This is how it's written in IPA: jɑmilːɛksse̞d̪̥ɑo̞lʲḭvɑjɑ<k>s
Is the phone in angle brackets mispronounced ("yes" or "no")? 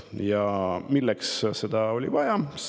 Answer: yes